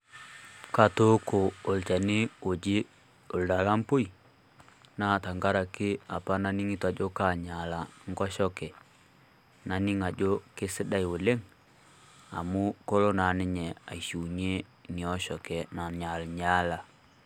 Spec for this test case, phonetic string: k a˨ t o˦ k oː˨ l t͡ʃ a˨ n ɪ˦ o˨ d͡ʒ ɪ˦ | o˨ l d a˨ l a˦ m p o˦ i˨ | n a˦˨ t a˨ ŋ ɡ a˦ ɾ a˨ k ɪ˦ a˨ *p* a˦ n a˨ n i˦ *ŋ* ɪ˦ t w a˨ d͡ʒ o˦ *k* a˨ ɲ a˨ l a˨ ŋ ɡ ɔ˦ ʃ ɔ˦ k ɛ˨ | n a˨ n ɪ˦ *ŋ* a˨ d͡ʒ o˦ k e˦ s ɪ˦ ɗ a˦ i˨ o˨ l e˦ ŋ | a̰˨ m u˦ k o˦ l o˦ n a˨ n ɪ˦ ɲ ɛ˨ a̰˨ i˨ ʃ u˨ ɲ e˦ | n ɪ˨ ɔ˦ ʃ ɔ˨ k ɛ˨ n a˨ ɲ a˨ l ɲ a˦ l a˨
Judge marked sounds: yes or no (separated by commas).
yes, yes, yes, yes